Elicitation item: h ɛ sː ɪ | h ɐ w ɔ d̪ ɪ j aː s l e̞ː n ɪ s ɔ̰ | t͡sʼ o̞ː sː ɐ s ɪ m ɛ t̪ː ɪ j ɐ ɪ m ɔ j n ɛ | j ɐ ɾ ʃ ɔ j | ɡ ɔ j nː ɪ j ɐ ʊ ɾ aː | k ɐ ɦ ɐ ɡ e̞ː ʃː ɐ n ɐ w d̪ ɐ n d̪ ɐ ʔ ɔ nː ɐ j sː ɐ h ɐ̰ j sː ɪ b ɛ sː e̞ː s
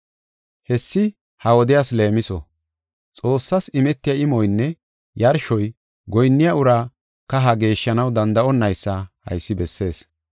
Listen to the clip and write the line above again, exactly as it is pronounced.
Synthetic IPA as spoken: h ɛ sː ɪ | h ɐ w ɔ d̪ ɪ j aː s l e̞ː m ɪ s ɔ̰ | t͡sʼ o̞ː sː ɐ s ɪ m ɛ t̪ː ɪ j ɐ ɪ m ɔ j nː ɛ | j ɐ ɾ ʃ ɔ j | ɡ ɔ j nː ɪ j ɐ ʊ ɾ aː | k ɐ ɦ ɐ ɡ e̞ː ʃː ɐ n ɐ w d̪ ɐ n d̪ ɐ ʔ ɔ nː ɐ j sː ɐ h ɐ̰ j sː ɪ b ɛ sː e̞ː s